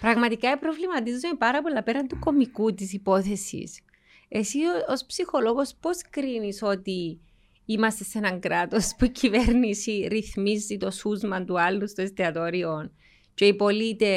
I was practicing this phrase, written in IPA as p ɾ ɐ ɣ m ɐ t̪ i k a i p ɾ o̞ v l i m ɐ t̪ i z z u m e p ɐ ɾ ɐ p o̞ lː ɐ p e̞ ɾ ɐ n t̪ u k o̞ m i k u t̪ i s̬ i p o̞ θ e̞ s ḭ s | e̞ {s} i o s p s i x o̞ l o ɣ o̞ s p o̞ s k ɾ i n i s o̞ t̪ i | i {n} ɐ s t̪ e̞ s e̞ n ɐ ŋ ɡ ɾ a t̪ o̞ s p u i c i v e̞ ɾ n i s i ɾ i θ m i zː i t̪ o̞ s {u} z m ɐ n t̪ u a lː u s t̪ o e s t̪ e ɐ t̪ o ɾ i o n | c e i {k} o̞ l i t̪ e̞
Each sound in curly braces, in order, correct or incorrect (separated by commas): correct, incorrect, correct, incorrect